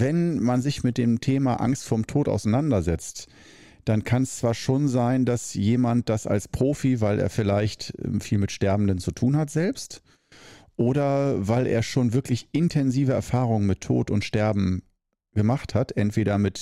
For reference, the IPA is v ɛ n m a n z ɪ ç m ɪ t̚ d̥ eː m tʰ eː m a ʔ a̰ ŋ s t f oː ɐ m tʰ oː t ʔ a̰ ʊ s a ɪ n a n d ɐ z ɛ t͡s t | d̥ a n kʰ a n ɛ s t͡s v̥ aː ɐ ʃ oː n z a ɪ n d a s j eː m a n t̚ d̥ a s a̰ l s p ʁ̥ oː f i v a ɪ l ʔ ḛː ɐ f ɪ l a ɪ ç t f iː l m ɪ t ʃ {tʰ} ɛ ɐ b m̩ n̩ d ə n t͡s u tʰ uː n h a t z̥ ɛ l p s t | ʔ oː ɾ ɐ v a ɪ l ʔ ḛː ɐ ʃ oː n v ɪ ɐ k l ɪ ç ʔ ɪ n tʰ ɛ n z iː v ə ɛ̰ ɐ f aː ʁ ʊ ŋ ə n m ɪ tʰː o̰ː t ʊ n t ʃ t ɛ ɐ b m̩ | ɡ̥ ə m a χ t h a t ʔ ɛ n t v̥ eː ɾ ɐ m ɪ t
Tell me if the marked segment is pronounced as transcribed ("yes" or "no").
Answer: no